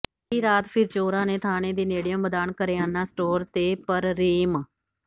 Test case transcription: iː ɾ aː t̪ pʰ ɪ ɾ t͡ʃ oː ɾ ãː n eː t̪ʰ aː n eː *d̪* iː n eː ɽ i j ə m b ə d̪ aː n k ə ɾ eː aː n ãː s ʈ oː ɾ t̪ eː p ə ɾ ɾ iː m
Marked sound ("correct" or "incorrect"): correct